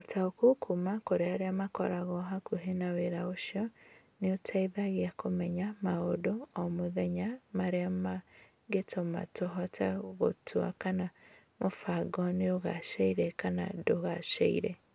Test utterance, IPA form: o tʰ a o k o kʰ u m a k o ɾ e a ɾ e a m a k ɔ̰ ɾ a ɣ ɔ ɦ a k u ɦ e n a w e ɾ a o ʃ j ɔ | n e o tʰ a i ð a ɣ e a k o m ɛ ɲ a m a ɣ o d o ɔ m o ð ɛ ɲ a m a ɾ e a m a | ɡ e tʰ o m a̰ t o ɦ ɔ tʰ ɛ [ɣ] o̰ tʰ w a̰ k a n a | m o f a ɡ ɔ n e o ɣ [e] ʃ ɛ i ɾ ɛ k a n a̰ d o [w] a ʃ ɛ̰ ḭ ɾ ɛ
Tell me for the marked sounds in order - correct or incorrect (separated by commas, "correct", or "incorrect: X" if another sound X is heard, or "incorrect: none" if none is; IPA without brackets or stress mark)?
correct, incorrect: a, incorrect: ɣ